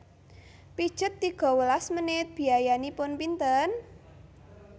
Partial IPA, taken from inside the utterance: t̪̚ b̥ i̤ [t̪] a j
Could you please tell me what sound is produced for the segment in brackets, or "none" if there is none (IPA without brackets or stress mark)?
none